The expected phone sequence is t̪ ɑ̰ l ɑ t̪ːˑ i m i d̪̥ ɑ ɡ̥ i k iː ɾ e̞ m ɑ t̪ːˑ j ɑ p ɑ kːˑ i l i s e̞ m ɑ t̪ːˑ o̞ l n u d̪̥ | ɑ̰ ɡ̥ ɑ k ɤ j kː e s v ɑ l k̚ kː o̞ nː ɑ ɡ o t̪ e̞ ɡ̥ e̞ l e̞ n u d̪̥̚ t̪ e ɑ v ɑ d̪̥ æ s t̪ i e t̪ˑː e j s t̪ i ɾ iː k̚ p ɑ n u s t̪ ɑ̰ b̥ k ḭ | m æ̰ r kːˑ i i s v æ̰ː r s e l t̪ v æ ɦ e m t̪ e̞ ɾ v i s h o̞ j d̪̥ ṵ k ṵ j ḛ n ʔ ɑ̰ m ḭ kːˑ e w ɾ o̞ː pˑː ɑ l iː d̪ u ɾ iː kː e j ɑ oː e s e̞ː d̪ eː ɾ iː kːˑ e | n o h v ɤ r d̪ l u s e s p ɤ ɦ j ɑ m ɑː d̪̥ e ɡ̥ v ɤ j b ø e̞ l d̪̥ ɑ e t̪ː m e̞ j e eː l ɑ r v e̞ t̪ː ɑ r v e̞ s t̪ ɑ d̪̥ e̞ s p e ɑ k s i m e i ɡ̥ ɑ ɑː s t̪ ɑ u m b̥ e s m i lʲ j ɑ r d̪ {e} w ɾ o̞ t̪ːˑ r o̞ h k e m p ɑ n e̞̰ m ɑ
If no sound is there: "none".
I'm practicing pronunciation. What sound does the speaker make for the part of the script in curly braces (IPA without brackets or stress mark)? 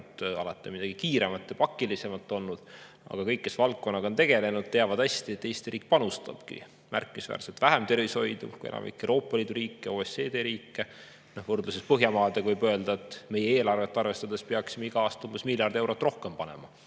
e